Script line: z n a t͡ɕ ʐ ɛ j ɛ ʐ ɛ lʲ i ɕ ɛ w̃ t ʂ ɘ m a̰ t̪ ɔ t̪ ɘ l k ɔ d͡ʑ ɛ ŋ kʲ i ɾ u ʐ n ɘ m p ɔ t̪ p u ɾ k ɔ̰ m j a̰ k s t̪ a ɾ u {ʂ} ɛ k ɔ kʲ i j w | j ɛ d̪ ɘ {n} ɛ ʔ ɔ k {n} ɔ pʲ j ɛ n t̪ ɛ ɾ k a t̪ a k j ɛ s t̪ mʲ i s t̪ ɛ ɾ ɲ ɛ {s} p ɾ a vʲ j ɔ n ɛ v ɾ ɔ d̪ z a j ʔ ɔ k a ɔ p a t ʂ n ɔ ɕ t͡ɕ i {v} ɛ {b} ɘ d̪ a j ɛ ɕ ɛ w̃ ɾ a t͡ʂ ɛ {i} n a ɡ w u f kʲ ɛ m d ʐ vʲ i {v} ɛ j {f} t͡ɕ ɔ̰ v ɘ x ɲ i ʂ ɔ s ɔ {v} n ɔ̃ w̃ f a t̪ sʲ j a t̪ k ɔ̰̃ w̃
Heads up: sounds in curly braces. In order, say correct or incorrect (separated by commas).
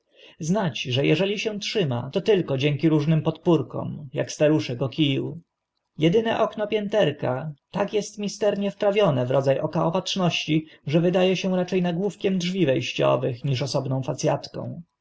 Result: correct, correct, correct, incorrect, incorrect, incorrect, incorrect, correct, incorrect, incorrect